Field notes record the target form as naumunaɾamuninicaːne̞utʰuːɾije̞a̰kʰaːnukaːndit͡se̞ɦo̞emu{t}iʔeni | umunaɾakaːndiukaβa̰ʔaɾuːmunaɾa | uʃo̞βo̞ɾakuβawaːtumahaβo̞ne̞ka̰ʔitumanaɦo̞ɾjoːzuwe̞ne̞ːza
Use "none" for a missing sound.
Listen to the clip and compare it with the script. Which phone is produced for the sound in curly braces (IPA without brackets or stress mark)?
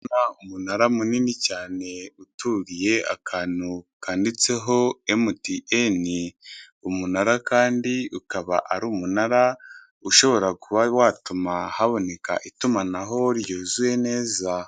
t